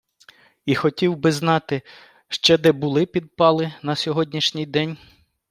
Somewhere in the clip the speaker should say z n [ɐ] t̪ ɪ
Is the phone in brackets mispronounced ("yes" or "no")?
yes